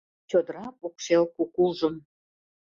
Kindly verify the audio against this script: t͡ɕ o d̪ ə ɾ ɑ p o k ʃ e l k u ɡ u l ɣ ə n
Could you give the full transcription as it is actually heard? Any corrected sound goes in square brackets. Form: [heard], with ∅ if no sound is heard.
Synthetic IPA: t͡ɕ o d̪ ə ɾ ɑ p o k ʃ e l k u [k] u l [ʒ] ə [m]